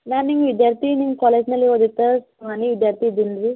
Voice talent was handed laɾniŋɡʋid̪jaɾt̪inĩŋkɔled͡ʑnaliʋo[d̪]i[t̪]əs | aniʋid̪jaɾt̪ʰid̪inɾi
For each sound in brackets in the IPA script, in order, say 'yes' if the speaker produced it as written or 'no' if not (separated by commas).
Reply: yes, yes